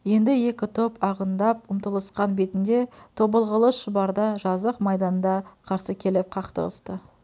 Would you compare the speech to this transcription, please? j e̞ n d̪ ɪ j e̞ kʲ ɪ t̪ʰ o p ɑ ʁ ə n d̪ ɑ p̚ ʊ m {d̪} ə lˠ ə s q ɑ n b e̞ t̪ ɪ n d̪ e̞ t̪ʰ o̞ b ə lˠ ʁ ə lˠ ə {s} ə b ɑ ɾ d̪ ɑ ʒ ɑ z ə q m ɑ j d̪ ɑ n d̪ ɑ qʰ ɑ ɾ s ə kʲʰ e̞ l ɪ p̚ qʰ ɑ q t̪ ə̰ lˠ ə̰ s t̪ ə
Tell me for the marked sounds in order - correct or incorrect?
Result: incorrect: t̪, incorrect: ʃ

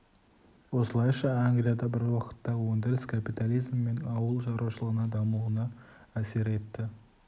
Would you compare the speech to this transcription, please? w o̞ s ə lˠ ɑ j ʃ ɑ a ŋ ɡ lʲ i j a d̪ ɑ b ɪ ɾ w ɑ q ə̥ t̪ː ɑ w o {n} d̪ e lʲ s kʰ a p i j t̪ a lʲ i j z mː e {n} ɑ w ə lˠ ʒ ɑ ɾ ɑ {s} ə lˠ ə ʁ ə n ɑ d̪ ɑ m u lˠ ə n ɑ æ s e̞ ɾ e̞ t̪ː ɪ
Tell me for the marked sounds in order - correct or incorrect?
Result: correct, correct, incorrect: ʃ

